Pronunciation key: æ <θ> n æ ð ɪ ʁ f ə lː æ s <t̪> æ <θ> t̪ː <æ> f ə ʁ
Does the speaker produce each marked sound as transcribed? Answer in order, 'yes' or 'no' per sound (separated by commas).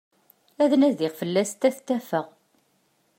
no, yes, yes, yes